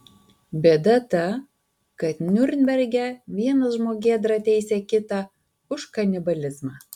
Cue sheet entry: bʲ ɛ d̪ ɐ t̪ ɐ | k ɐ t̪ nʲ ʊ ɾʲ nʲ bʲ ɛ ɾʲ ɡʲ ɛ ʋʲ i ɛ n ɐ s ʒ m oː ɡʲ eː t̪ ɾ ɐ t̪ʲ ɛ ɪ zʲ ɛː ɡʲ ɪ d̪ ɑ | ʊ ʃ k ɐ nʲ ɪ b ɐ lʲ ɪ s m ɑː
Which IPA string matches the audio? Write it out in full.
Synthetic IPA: bʲ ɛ d̪ ɐ t̪ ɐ | k ɐ t̪ nʲ ʊ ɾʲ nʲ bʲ ɛ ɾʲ ɡʲ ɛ ʋʲ i ɛ n ɐ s ʒ m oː ɡʲ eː d̪ ɾ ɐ t̪ʲ ɛ ɪ sʲ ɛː kʲ ɪ t̪ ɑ | ʊ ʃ k ɐ nʲ ɪ b ɐ lʲ ɪ z m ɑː